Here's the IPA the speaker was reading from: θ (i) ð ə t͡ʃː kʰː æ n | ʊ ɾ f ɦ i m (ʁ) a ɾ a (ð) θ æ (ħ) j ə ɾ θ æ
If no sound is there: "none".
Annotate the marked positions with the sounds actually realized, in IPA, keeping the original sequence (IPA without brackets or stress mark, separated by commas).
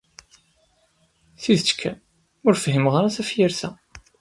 i, ʁ, none, f